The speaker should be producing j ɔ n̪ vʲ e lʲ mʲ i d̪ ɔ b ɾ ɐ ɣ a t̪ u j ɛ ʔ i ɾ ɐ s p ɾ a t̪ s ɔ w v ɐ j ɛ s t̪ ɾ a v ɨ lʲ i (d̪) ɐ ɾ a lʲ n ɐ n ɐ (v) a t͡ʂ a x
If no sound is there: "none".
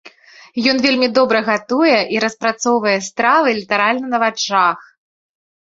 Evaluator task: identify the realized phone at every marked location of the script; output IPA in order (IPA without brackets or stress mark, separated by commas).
t̪, v